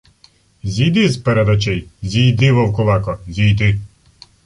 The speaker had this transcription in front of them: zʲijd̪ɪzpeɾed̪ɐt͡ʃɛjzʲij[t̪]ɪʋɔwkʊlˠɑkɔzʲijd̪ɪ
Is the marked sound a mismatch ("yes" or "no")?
yes